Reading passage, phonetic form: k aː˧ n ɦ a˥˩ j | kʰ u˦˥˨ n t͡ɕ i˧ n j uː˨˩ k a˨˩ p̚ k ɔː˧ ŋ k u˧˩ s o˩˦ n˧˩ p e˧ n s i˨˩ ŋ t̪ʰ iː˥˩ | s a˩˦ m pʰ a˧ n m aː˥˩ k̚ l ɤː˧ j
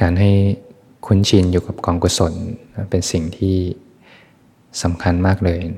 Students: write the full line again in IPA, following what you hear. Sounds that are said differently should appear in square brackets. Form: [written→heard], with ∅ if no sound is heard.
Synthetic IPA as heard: k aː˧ n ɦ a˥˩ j | kʰ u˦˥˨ n [t͡ɕ→t͡ɕʰ] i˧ n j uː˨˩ k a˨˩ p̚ k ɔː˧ ŋ k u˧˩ s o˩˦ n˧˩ p e˧ n s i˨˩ ŋ t̪ʰ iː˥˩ | s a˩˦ m [pʰ→kʰ] a˧ n m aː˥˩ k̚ l ɤː˧ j